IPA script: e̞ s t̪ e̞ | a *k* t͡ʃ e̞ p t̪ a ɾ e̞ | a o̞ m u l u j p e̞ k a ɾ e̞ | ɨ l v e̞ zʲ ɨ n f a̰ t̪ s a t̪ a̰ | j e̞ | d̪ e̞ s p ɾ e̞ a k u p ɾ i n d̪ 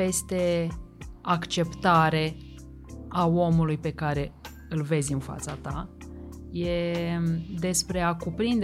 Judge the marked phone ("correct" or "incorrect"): correct